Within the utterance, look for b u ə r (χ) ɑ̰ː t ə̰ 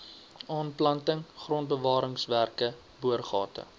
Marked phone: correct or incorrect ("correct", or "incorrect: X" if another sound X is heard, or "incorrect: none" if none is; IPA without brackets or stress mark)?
correct